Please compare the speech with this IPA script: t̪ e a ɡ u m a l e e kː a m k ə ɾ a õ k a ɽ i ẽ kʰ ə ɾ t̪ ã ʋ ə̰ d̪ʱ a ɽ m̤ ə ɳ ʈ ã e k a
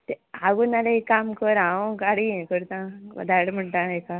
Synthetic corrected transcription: t̪ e a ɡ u n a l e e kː a m k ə ɾ a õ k a ɽ i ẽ k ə ɾ t̪ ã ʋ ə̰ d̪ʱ a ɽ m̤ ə ɳ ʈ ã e k a